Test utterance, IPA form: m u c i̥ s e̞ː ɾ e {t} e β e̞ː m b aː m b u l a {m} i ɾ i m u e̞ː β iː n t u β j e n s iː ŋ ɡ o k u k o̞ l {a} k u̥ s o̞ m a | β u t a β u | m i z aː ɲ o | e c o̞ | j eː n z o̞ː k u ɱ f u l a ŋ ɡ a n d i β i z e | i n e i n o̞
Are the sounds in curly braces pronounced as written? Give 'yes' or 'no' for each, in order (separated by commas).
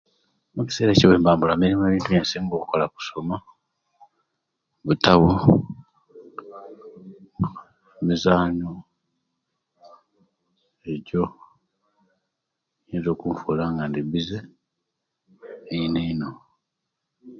no, yes, yes